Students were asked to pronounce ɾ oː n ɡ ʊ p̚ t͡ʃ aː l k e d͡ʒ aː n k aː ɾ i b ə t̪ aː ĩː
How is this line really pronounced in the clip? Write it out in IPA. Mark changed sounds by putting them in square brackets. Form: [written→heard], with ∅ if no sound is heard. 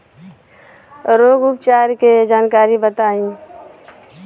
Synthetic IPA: ɾ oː [n→∅] ɡ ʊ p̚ t͡ʃ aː [l→ɾ] k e d͡ʒ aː n k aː ɾ i b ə t̪ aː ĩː